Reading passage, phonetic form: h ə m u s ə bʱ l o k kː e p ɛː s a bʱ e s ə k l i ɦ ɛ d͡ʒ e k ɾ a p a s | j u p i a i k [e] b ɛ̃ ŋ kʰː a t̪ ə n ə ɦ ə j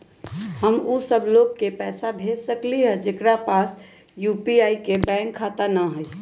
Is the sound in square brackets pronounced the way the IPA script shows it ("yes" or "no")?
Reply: yes